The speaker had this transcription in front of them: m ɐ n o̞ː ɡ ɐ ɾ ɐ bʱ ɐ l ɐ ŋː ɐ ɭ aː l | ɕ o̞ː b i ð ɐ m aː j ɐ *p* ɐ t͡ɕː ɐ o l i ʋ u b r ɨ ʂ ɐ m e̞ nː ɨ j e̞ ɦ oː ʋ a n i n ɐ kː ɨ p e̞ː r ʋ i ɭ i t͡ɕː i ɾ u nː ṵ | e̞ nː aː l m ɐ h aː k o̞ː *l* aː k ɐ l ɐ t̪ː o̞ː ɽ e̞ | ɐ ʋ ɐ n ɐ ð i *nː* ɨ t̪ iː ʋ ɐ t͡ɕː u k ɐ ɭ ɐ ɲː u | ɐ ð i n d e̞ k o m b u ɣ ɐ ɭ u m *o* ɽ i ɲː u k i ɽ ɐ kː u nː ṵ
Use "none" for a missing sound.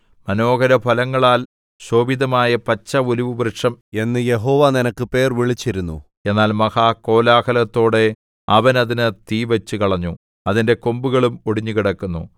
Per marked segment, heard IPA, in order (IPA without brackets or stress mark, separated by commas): p, l, n, o